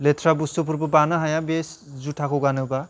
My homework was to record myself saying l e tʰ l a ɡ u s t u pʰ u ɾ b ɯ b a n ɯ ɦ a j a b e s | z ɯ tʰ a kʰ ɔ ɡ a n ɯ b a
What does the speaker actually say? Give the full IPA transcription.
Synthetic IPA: l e tʰ ɾ a b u s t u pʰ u ɾ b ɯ b a n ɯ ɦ a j a b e s | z u tʰ a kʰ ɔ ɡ a n ɯ b a

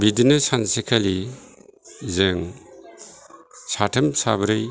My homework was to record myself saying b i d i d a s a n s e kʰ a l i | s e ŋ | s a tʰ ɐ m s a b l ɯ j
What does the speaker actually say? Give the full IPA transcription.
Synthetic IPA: b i d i n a s a n s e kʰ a l i | z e ŋ | s a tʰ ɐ m s a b ɾ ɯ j

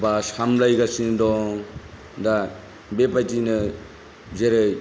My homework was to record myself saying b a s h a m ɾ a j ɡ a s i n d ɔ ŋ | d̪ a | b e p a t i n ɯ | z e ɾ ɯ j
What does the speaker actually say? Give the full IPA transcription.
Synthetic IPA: b a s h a m l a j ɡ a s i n d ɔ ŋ | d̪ a | b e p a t i n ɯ | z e ɾ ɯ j

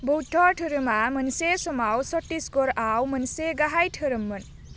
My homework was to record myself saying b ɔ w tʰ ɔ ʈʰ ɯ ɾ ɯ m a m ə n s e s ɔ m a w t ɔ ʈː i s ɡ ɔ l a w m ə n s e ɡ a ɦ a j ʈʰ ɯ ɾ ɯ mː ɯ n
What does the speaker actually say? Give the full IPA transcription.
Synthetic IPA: b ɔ w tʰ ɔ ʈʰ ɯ ɾ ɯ m a m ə n s e s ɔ m a w s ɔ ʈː i s ɡ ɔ ɾ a w m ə n s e ɡ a ɦ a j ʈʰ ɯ ɾ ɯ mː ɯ n

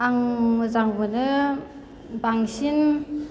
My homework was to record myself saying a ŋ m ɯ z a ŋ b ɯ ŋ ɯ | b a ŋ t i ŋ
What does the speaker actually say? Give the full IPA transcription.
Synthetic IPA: a ŋ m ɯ z a ŋ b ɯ n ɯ | b a ŋ s i n

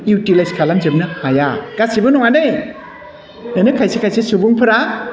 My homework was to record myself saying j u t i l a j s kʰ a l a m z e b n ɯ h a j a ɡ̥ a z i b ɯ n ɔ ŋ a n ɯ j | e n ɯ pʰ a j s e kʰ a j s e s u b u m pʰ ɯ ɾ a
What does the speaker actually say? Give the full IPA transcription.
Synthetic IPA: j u t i l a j s kʰ a l a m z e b n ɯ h a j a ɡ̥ a s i b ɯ n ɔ ŋ a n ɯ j | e n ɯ kʰ a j s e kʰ a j s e s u b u ŋ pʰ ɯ ɾ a

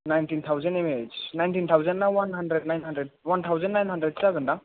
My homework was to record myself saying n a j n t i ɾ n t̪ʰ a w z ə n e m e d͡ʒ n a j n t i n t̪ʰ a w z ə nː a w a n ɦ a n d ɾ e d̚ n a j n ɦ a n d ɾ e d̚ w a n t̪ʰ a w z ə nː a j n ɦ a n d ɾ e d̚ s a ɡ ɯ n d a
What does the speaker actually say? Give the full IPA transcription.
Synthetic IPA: n a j n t i n t̪ʰ a w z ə n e m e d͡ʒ n a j n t i n t̪ʰ a w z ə nː a w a n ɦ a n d ɾ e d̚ n a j n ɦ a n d ɾ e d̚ w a n t̪ʰ a w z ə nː a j n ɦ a n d ɾ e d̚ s a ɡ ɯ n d a

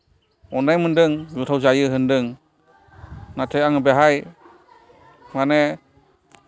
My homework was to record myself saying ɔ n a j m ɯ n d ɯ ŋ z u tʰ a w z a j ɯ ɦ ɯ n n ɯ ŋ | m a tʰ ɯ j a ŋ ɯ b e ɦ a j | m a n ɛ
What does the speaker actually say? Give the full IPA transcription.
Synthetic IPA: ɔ n a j m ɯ n d ɯ ŋ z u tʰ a w z a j ɯ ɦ ɯ n d ɯ ŋ | n a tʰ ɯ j a ŋ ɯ b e ɦ a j | m a n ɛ

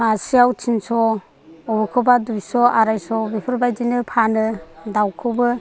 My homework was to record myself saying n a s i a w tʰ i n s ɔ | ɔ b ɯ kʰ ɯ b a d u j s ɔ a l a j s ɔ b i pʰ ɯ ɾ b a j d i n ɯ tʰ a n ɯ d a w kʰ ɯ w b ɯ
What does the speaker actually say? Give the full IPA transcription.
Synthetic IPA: m a s i a w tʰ i n s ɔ | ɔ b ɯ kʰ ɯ b a d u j s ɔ a ɾ a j s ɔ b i pʰ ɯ ɾ b a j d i n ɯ pʰ a n ɯ d a w kʰ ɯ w b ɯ

